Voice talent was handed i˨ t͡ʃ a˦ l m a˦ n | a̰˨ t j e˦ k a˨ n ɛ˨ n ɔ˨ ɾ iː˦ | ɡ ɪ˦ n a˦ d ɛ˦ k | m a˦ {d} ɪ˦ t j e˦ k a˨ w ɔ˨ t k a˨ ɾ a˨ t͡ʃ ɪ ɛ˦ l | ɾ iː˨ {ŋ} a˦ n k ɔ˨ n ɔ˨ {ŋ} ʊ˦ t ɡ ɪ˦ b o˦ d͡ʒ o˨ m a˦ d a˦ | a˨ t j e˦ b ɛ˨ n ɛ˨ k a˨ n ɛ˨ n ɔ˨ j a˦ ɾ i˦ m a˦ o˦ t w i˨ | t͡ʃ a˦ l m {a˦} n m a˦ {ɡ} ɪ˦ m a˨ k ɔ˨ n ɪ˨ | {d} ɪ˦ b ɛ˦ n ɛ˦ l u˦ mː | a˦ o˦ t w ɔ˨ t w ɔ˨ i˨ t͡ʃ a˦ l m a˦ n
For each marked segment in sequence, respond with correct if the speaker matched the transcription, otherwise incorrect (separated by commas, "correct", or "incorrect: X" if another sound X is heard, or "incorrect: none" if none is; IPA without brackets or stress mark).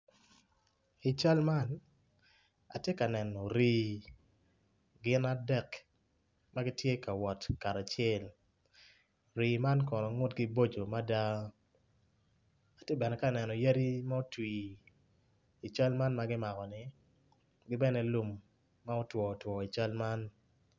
incorrect: ɡ, incorrect: m, correct, correct, correct, incorrect: ɡ